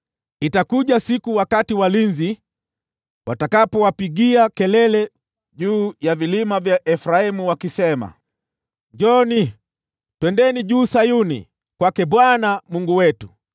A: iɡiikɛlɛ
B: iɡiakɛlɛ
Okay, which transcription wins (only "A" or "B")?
B